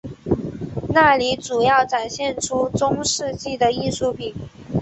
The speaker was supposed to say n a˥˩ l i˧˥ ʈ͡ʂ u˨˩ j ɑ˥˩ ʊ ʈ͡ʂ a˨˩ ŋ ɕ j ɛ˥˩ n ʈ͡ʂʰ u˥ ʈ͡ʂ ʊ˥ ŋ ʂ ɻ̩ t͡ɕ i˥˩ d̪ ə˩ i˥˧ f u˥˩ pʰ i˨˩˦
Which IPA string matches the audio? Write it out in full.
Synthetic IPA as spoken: n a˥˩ l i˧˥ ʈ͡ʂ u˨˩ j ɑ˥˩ ʊ ʈ͡ʂ a˨˩ n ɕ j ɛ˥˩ n ʈ͡ʂʰ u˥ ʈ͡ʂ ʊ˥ ŋ ʂ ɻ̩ t͡ɕ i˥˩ d̪ ə˩ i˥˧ ʂ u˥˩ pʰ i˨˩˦